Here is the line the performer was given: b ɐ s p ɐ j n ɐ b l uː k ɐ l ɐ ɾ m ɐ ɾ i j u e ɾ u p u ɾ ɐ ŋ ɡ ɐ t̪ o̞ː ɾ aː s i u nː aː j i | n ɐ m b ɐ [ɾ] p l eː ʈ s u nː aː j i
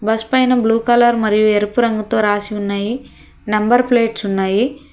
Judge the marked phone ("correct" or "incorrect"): correct